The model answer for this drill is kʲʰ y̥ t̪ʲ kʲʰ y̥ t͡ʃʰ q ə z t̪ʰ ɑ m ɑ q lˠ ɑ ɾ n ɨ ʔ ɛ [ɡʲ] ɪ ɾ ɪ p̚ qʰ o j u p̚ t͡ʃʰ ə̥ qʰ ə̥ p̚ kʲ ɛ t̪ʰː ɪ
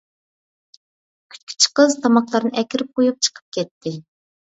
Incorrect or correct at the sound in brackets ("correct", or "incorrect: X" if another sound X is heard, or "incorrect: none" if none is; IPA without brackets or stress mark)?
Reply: incorrect: kʲ